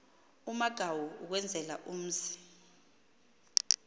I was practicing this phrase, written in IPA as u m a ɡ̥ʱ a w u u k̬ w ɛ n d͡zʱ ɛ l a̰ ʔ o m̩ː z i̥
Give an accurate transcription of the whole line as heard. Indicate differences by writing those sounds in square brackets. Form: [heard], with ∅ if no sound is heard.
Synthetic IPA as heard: u m a ɡ̥ʱ a w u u k̬ w ɛ n d͡zʱ ɛ l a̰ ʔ [u] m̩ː z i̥